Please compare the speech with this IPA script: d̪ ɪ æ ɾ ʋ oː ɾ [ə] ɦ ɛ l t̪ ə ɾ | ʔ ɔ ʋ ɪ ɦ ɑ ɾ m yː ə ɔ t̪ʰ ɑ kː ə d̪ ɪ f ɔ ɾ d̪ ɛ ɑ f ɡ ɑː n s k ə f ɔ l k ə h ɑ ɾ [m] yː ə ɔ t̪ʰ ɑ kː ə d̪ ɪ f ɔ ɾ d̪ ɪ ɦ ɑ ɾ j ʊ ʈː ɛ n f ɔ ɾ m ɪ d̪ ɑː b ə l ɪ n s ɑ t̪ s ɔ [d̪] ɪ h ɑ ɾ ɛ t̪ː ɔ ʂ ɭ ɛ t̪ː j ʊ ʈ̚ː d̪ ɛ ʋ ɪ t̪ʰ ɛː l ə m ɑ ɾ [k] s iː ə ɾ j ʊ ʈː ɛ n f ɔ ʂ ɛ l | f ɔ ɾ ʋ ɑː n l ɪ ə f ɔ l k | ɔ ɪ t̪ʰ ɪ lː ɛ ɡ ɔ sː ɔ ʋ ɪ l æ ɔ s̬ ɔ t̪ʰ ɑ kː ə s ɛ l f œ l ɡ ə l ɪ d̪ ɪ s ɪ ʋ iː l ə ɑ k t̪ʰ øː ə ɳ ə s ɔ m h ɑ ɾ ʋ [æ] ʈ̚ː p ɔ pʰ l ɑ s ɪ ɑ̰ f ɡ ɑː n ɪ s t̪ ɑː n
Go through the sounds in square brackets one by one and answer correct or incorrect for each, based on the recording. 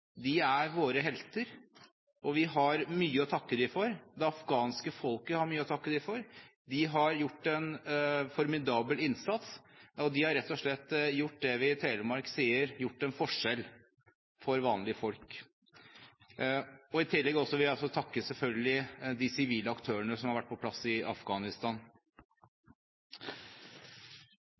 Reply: correct, correct, correct, correct, correct

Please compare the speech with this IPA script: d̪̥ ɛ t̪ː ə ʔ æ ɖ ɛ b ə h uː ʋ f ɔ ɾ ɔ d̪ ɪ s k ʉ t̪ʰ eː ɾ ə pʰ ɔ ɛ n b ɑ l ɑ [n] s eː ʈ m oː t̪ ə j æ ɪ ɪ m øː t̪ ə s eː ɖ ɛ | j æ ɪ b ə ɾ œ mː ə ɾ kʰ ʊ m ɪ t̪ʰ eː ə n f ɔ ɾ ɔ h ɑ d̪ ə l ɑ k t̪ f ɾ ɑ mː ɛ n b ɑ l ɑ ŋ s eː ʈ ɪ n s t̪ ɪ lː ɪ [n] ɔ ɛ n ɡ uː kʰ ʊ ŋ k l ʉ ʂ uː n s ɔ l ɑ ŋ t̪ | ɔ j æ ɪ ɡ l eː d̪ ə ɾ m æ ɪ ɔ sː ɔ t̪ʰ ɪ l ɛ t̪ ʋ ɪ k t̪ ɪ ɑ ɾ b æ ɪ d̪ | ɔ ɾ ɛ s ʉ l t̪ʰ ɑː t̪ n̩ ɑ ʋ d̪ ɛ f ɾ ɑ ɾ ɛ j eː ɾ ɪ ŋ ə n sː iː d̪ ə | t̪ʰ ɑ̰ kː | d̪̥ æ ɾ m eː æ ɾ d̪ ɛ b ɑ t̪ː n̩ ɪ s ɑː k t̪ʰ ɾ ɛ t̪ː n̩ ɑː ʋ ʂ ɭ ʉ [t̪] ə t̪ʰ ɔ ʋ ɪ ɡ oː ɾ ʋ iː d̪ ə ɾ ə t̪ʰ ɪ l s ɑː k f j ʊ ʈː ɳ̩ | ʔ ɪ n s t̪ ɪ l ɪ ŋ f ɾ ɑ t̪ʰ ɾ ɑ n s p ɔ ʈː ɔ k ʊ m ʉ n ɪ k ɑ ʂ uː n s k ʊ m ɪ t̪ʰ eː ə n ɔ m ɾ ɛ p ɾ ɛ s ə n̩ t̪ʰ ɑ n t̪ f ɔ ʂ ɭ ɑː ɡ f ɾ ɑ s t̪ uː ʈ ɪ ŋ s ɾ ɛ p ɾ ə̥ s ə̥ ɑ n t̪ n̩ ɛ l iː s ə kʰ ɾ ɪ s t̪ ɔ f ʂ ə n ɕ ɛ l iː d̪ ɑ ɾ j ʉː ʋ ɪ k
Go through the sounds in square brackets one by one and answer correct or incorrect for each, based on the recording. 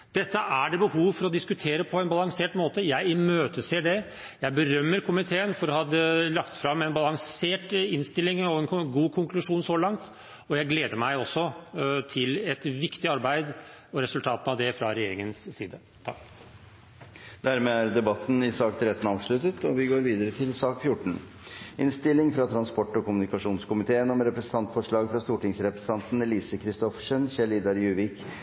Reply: incorrect: ŋ, incorrect: ŋ, correct

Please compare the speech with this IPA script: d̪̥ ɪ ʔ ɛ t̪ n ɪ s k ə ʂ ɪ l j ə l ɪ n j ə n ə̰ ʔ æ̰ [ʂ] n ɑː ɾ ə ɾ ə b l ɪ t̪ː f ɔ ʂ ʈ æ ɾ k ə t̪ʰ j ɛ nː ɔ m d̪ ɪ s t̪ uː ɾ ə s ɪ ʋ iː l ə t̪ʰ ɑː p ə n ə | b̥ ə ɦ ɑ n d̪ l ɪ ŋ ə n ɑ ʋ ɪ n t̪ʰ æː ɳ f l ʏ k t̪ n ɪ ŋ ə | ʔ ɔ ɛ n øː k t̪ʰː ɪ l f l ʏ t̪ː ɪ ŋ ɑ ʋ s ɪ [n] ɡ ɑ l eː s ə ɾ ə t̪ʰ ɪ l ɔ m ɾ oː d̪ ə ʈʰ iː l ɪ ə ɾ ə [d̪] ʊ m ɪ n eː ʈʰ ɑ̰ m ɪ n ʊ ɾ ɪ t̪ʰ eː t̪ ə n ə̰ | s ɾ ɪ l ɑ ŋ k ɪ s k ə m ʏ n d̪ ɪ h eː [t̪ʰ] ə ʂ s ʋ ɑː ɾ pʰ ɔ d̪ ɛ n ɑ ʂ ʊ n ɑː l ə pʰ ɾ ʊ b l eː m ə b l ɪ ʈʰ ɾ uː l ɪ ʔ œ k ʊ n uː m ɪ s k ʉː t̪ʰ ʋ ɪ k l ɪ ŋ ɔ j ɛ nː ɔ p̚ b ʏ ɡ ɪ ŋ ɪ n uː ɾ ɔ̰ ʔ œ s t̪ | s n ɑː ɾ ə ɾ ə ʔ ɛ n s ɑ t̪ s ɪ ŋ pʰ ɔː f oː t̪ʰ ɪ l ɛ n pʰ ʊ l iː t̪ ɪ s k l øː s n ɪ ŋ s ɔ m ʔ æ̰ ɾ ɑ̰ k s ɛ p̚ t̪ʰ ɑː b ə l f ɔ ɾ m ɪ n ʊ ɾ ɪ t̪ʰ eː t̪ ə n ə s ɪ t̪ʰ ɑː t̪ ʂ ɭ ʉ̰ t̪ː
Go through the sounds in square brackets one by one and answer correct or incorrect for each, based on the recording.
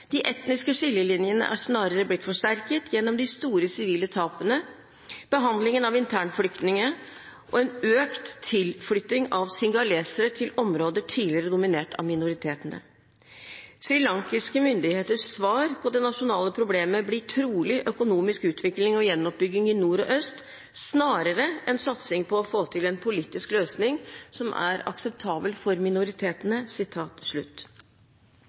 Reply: correct, incorrect: ŋ, correct, incorrect: t̪

